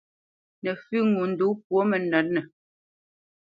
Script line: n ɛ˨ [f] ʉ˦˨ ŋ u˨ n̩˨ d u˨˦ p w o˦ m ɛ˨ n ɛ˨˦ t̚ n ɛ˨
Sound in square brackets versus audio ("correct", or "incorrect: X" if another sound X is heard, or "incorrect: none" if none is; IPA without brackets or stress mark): correct